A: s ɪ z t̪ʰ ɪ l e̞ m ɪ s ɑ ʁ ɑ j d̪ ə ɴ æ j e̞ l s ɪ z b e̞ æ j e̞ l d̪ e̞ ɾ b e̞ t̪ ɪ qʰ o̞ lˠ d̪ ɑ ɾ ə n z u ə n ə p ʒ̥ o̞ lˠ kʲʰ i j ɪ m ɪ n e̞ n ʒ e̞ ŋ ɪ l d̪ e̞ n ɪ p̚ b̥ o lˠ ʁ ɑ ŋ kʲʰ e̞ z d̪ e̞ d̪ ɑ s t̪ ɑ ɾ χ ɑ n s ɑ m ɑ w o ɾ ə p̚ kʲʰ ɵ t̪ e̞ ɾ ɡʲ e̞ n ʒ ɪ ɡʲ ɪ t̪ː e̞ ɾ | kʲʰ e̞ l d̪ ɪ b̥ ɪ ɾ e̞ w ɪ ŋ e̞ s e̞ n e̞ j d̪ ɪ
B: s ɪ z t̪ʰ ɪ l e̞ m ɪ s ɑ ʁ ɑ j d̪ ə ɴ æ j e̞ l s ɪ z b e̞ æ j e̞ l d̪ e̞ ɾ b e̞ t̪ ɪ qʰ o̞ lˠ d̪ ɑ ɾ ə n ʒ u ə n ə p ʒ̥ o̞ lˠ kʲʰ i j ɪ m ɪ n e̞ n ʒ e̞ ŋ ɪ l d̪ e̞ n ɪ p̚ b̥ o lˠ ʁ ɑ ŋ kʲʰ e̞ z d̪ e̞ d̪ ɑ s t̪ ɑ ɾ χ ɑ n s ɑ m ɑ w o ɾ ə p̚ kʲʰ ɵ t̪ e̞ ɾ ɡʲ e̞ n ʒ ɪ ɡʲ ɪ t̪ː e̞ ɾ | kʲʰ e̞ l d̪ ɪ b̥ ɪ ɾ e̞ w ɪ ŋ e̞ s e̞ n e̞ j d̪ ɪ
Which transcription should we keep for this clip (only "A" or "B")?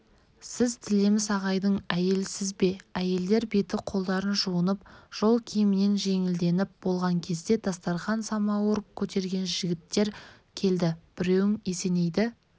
B